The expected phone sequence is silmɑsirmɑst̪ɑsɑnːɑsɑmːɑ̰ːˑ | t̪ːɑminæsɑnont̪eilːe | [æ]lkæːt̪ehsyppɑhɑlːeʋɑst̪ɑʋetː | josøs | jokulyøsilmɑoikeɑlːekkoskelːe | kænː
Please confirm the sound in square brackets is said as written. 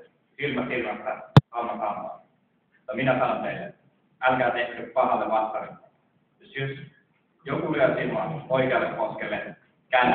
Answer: yes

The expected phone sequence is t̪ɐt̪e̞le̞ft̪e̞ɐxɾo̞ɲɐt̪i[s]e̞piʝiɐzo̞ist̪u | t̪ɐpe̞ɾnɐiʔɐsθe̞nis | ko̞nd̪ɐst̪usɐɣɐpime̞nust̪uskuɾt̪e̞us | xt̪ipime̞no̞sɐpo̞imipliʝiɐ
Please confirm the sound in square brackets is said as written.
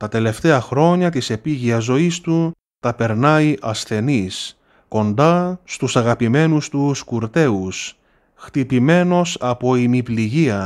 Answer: yes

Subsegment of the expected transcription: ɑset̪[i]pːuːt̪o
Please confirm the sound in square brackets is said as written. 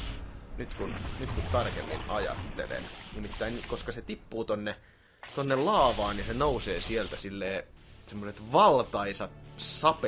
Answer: yes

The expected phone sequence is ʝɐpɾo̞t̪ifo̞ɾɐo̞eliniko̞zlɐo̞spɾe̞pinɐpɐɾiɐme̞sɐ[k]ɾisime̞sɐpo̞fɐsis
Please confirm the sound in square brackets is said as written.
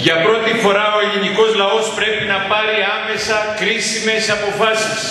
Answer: yes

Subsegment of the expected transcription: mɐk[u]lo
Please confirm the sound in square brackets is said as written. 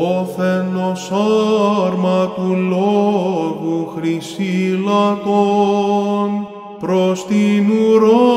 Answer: yes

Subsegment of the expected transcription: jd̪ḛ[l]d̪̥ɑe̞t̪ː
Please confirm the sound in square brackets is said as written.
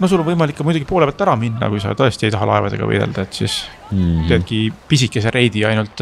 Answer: yes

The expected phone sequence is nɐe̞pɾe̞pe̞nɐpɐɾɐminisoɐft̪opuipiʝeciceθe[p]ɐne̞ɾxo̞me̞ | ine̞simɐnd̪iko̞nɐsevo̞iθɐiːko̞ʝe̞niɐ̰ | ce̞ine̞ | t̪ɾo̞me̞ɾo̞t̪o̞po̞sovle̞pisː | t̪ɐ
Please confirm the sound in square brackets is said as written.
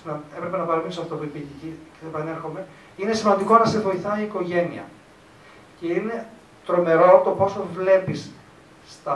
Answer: yes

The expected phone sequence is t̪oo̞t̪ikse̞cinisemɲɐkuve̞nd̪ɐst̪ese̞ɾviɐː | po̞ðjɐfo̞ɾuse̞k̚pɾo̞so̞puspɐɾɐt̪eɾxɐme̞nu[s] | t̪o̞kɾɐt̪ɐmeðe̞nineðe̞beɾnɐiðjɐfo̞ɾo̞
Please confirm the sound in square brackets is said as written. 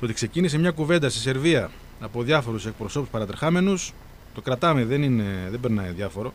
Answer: yes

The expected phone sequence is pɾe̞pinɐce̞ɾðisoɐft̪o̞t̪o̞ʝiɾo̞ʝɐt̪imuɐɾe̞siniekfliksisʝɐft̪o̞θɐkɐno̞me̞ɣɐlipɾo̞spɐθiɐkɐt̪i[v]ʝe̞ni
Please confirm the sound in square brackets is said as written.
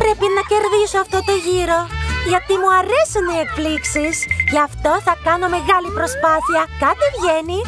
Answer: yes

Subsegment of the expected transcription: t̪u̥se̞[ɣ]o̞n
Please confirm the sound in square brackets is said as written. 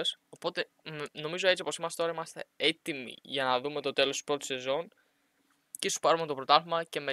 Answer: no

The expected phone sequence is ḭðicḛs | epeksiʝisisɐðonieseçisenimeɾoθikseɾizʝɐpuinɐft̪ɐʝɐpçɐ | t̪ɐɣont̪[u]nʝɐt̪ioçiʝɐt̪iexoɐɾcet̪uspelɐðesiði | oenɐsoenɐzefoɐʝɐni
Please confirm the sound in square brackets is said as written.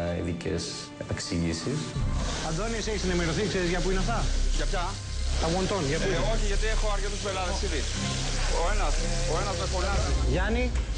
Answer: no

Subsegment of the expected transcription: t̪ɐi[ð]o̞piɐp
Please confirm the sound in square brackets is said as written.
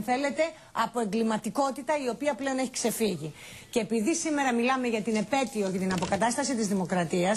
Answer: no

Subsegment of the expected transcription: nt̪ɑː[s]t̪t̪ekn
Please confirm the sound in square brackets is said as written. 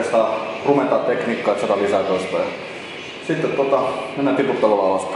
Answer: no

